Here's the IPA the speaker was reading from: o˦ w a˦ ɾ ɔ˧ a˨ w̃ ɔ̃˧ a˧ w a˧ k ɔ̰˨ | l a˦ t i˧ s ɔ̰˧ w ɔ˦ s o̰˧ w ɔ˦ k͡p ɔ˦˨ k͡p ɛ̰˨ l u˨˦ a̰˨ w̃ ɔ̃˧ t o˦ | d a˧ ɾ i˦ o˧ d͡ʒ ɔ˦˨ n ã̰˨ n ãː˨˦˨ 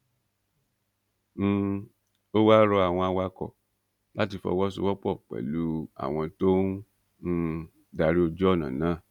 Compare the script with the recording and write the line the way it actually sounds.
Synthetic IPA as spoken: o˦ w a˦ ɾ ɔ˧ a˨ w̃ ɔ̃˧ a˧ w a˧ k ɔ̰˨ | l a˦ t i˧ f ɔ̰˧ w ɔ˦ s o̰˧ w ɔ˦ k͡p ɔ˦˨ k͡p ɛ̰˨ l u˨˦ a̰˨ w̃ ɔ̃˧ t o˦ | d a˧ ɾ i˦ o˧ d͡ʒ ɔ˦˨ n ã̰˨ n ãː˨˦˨

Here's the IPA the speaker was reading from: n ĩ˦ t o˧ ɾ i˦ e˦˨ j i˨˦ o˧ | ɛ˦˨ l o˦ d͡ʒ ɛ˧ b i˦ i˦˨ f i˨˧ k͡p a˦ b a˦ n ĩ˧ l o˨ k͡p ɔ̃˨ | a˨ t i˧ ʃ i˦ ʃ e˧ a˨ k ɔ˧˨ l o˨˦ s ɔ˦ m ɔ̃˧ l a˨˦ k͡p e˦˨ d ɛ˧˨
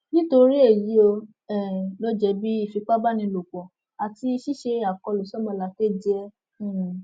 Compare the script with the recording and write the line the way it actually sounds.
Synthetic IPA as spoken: n ĩ˦ t o˧ ɾ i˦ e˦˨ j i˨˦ o˧ | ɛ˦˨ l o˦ d͡ʒ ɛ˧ b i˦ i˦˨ f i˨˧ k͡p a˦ b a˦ n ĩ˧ l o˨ k͡p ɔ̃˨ | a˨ t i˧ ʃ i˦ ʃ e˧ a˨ k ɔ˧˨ l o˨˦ s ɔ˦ m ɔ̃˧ l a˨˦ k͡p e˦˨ d͡ʒ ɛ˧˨

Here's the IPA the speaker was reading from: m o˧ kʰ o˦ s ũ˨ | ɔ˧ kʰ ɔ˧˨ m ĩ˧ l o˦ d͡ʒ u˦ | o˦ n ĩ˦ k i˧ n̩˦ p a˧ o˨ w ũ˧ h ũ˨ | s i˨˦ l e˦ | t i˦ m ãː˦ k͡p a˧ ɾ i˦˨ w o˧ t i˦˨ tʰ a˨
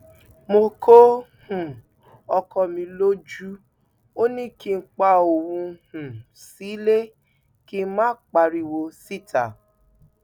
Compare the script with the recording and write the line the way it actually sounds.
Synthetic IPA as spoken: m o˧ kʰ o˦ h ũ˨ | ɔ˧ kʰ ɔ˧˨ m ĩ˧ l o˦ d͡ʒ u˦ | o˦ n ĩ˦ k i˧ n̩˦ k͡p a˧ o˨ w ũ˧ h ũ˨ | s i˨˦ l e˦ | k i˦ m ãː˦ k͡p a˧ ɾ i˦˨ w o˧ s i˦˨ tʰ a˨

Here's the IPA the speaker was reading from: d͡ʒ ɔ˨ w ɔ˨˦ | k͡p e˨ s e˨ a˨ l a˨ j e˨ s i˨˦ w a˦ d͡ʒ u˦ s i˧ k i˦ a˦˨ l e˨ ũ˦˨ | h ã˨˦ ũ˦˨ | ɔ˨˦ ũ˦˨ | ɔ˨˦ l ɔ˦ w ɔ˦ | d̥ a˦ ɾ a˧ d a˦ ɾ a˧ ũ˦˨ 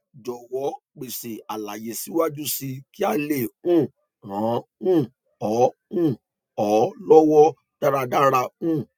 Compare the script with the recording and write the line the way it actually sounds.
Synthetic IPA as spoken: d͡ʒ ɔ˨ w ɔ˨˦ | k͡p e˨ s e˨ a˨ l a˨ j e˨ s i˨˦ w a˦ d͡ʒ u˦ s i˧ k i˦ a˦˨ l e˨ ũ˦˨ | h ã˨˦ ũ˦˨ | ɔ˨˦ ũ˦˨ | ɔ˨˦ l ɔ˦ w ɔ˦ | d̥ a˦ ɾ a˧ d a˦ ɾ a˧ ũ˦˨

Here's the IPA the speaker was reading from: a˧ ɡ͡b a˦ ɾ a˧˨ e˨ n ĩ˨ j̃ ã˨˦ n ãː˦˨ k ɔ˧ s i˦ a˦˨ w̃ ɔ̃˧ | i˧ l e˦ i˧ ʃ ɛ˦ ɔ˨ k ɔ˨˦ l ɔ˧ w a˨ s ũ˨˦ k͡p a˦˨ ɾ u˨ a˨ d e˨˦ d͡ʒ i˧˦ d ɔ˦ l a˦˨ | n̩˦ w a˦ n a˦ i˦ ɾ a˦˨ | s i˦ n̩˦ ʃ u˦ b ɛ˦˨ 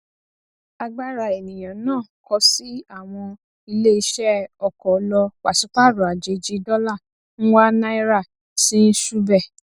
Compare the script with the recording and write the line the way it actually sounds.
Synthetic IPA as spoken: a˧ ɡ͡b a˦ ɾ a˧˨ e˨ n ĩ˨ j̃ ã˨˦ n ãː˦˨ k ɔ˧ s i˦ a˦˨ w̃ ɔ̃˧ | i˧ l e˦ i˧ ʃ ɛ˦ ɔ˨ k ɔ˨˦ l ɔ˧ w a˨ s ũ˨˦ k͡p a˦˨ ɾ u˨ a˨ d͡ʒ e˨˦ d͡ʒ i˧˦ d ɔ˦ l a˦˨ | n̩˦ w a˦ n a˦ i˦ ɾ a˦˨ | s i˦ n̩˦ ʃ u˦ b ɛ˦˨

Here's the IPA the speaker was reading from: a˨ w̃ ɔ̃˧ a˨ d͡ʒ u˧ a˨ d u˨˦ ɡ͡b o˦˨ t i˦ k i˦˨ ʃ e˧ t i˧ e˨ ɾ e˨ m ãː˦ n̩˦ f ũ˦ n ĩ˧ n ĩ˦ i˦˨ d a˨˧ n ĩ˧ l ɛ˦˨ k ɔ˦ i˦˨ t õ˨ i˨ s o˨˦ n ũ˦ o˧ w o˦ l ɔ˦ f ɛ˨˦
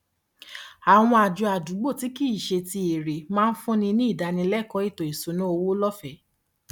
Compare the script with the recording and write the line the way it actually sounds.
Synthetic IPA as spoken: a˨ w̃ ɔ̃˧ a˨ d͡ʒ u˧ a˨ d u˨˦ ɡ͡b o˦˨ t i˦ k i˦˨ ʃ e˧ t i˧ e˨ ɾ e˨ m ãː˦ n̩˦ f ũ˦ n ĩ˧ n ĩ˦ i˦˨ d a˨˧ n ĩ˧ l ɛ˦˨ k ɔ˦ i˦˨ t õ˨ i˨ s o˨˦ n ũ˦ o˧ w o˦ l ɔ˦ f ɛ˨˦

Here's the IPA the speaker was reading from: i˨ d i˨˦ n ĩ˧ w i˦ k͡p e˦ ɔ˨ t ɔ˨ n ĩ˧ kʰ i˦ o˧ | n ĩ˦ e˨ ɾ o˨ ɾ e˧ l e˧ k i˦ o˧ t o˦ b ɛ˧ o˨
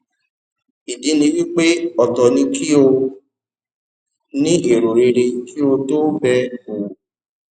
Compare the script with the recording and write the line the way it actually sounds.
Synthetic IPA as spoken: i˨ d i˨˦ n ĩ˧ w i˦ k͡p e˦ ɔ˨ t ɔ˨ n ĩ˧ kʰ i˦ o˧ | n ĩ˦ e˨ ɾ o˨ ɾ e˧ ɾ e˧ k i˦ o˧ t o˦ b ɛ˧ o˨

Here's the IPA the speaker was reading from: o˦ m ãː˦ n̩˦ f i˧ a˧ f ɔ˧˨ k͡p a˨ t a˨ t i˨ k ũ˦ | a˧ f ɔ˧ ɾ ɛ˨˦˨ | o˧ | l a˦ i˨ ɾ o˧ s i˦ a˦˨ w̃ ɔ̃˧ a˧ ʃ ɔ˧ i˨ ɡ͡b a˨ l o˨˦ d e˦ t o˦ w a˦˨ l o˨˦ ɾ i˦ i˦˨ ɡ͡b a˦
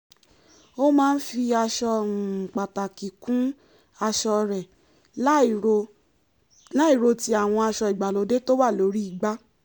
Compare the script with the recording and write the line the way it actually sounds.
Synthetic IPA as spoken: o˦ m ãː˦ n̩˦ f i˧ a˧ ʃ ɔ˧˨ k͡p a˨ t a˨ k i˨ k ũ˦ | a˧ ʃ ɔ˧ ɾ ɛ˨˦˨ | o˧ | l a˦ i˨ ɾ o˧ t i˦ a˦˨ w̃ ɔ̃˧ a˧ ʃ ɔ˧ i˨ ɡ͡b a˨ l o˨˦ d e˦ t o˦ w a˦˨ l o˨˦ ɾ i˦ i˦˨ ɡ͡b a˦

